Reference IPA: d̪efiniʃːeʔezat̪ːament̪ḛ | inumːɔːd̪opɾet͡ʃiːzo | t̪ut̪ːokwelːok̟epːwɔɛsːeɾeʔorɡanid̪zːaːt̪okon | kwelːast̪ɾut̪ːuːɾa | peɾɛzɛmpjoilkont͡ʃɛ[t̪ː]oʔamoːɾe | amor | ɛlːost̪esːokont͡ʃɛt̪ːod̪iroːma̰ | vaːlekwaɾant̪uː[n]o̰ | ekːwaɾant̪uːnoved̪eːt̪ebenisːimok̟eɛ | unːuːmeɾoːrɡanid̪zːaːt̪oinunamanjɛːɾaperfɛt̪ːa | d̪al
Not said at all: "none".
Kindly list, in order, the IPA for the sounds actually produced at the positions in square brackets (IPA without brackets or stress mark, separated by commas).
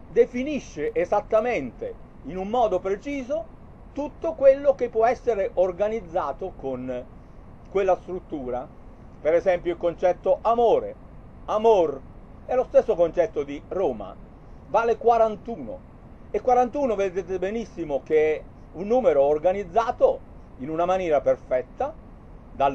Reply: t̪ː, n